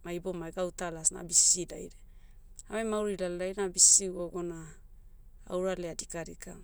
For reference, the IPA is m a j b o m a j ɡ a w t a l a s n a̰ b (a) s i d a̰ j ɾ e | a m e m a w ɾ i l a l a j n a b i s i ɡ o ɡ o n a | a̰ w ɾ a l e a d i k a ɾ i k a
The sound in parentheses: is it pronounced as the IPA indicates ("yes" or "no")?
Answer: no